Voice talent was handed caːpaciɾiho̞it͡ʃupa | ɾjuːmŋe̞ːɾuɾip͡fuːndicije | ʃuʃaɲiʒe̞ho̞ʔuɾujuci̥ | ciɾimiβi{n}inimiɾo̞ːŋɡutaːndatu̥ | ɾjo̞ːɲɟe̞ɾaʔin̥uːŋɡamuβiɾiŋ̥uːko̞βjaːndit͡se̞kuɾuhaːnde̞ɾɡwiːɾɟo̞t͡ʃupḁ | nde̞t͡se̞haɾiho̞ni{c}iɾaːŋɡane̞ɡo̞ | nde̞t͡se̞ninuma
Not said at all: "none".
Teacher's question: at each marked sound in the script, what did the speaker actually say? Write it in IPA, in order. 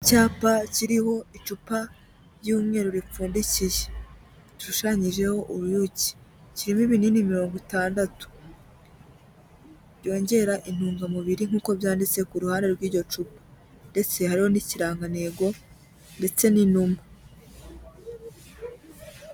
n, c

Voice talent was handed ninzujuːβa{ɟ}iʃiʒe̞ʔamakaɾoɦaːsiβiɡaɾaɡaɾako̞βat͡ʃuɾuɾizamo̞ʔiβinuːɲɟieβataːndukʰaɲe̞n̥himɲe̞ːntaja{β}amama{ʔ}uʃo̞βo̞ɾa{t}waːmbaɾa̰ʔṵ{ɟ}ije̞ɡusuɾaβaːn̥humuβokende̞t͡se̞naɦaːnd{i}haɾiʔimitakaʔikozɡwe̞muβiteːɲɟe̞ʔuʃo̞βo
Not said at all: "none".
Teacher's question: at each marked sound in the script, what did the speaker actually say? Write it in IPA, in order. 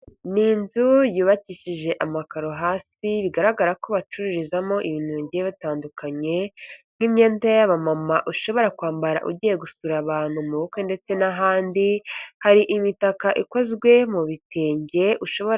c, β, ʔ, k, ɟ, i

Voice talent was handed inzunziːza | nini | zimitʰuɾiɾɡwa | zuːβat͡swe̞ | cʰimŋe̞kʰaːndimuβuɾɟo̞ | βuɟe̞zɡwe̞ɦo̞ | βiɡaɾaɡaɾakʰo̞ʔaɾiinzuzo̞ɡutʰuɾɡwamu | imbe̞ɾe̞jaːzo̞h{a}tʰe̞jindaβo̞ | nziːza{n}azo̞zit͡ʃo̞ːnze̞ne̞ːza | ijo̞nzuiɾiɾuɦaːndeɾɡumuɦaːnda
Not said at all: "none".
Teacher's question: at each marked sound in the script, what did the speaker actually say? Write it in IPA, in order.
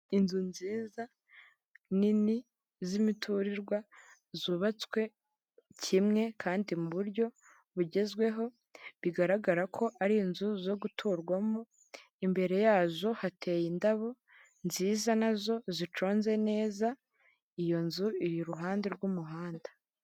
a, n

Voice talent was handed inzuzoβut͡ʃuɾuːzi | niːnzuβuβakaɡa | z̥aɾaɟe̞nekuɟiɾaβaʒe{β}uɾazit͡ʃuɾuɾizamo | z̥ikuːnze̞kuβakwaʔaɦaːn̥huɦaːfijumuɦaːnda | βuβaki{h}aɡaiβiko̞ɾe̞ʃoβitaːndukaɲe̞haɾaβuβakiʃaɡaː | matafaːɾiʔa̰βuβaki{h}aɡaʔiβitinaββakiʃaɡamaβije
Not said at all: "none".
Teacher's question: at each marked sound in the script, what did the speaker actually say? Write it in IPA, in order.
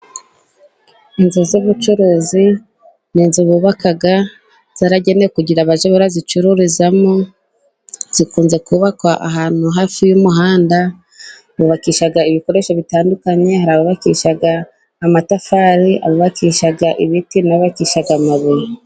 β, ʃ, ʃ

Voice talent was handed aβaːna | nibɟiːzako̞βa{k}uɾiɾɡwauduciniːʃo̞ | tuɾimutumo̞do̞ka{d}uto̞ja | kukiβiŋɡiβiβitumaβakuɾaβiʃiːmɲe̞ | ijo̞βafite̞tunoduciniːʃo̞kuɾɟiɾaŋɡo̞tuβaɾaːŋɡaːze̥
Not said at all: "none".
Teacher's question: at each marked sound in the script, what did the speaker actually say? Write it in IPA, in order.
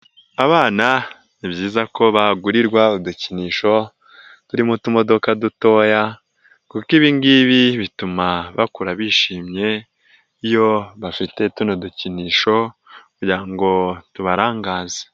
ɡ, d

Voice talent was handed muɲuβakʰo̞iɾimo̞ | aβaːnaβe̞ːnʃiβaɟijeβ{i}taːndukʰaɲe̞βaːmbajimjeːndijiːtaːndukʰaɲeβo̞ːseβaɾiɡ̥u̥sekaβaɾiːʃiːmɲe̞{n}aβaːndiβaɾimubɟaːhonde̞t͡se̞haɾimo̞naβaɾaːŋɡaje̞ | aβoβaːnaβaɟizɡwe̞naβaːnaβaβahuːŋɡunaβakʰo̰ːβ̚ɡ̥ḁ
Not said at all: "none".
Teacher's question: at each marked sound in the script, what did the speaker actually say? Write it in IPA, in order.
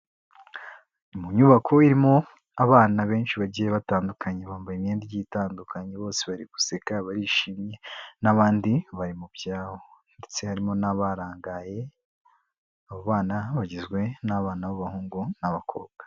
a, n

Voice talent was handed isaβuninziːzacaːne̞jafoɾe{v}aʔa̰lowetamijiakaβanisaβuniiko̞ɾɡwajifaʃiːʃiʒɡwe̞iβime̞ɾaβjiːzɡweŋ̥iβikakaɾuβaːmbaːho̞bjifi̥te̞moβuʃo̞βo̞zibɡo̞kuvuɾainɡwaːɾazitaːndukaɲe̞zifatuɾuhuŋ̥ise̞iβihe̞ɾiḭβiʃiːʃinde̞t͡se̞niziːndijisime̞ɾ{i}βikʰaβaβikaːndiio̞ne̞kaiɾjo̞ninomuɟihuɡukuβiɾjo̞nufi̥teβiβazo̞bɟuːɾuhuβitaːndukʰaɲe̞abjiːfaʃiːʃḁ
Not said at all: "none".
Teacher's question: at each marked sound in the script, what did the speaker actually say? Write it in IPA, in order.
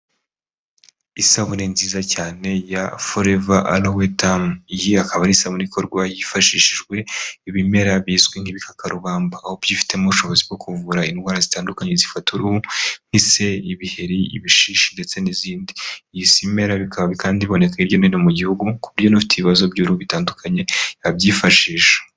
v, a

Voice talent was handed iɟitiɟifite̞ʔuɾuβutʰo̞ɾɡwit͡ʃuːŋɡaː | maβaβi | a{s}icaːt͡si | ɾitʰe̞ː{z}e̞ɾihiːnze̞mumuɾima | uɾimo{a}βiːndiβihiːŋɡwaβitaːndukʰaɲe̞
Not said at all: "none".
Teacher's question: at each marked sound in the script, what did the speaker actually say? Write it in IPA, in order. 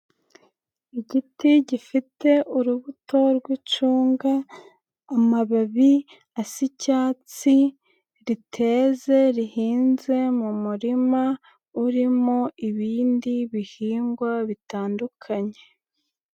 s, z, i

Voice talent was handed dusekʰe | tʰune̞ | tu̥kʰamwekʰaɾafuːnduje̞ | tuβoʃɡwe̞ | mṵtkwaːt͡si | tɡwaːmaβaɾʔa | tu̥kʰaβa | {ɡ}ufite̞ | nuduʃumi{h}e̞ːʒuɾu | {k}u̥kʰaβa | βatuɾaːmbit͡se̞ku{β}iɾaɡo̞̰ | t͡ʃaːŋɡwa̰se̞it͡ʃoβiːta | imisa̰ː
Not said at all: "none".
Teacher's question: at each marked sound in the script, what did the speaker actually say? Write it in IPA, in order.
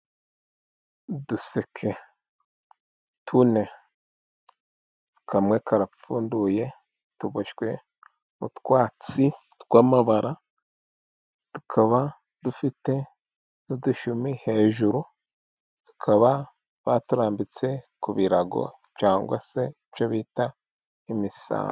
d, h, t, β

